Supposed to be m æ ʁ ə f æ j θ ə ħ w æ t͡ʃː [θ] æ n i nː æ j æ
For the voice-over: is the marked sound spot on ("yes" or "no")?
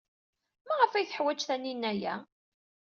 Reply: yes